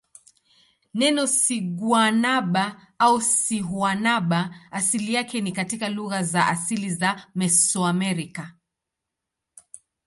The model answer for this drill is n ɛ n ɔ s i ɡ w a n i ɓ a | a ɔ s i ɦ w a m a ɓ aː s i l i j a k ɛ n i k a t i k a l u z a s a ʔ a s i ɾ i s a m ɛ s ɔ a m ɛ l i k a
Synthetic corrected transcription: n ɛ n ɔ s i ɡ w a n a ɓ a | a u s i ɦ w a n a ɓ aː s i l i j a k ɛ n i k a t i k a l u ɣ a z a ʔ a s i l i z a m ɛ s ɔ a m ɛ ɾ i k a